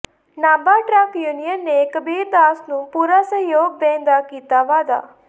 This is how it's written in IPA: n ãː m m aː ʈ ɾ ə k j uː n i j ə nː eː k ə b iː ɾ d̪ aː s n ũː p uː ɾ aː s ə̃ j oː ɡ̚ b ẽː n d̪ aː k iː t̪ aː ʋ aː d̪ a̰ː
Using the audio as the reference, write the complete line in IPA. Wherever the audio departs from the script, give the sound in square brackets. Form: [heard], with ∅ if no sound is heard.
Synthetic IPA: n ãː m [b] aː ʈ ɾ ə k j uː n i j ə nː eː k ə b iː ɾ d̪ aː s n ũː p uː ɾ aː s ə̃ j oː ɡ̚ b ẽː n d̪ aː k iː t̪ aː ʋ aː d̪ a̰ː